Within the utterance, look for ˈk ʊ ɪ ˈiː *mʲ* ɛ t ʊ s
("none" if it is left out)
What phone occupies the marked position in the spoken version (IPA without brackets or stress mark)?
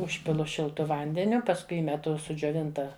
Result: mʲ